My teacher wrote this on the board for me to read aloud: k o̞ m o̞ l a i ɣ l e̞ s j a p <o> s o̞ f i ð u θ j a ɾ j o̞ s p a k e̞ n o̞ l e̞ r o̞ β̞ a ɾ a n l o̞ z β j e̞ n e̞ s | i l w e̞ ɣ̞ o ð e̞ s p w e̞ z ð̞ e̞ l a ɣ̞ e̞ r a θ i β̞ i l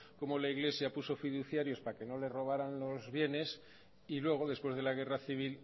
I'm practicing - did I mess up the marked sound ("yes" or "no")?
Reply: yes